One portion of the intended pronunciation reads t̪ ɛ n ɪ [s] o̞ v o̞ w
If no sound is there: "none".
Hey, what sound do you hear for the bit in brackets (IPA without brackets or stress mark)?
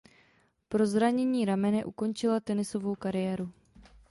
s